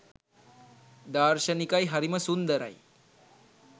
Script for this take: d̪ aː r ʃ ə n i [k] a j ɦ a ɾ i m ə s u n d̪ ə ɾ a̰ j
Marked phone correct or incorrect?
correct